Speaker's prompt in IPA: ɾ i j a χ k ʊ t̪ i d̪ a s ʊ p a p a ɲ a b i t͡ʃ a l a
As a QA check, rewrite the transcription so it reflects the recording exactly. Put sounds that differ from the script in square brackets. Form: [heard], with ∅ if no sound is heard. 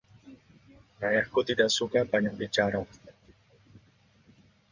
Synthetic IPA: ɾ [a] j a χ k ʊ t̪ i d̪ a s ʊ [k] a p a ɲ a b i t͡ʃ a [ɾ] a

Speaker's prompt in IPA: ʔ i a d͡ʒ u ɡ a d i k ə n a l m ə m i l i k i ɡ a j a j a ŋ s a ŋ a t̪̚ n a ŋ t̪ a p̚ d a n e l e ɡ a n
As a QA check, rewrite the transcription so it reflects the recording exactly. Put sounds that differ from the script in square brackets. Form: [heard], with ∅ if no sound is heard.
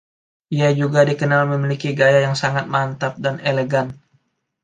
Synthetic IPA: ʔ i a d͡ʒ u ɡ a d i k ə n a l m ə m i l i k i ɡ a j a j a ŋ s a ŋ a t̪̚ [m] a [n] t̪ a p̚ d a n e l e ɡ a n

